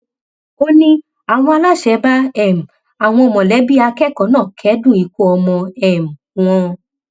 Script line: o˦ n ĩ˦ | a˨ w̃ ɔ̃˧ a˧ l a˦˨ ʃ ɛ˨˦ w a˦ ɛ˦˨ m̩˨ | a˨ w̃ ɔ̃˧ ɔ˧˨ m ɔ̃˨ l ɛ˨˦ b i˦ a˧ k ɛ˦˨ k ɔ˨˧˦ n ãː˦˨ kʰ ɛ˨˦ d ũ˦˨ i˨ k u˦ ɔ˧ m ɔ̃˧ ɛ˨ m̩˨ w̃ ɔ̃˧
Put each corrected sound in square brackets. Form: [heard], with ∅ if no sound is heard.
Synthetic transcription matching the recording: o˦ n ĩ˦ | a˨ w̃ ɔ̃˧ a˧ l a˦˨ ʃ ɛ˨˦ [b] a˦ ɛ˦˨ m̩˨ | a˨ w̃ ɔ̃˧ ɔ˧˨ m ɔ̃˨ l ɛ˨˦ b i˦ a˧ k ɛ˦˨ k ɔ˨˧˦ n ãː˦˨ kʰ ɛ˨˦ d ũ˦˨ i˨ k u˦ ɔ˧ m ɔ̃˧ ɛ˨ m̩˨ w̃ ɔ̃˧